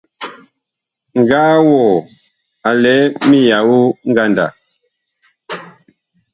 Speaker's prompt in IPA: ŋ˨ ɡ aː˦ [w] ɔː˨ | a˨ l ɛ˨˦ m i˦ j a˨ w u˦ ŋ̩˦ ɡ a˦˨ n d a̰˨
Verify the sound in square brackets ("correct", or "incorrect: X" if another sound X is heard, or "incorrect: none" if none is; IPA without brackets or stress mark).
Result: correct